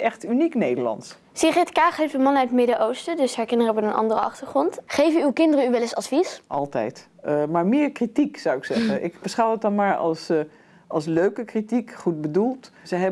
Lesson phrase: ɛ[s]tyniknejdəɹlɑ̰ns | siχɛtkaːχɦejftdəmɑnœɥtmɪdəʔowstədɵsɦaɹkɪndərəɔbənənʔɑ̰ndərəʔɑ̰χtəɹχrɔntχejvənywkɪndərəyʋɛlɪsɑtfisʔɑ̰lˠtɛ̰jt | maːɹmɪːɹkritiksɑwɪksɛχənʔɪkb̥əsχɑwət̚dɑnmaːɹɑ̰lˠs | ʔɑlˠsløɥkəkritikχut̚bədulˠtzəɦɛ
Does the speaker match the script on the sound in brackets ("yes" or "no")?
no